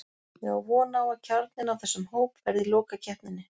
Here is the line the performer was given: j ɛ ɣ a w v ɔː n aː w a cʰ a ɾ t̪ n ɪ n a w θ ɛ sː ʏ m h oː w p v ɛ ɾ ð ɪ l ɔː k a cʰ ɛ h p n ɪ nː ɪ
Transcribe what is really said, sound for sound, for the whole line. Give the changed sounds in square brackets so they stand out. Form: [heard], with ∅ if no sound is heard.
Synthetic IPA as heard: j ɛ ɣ a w v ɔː n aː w a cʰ a ɾ t̪ n ɪ n a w θ ɛ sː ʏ m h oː w p v ɛ ɾ ð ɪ l ɔː k a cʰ ɛ h p n ɪ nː ɪ